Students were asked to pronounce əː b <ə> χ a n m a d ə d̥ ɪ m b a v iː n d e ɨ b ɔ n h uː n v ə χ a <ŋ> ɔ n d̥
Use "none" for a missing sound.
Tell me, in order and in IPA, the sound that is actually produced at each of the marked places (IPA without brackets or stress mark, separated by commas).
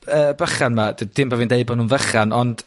ə, n